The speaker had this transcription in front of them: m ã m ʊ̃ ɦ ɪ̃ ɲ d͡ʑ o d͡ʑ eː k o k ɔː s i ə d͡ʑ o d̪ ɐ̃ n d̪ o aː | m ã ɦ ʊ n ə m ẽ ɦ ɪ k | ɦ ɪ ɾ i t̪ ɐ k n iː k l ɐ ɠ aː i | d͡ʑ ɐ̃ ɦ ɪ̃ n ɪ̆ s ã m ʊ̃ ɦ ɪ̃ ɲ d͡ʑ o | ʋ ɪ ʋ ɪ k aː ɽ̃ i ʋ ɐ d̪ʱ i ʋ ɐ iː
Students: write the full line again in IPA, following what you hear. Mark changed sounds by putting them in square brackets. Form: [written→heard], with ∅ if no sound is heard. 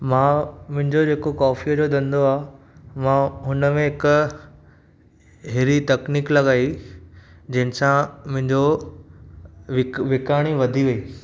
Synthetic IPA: m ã m ʊ̃ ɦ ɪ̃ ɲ d͡ʑ o d͡ʑ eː k o k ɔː [s→f] i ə d͡ʑ o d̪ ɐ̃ n d̪ o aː | m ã ɦ ʊ n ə m ẽ ɦ ɪ k | ɦ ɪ ɾ i t̪ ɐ k n iː k l ɐ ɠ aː i | d͡ʑ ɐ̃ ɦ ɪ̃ n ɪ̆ s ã m ʊ̃ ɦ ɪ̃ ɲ d͡ʑ o | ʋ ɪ ʋ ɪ k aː ɽ̃ i ʋ ɐ d̪ʱ i ʋ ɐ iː